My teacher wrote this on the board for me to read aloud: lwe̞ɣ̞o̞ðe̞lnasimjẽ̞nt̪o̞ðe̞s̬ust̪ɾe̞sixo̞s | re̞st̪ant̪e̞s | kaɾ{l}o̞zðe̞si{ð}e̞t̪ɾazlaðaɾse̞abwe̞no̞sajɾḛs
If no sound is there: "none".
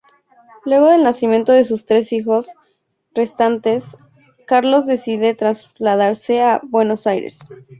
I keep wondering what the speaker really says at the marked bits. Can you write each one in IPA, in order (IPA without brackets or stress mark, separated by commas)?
l, ð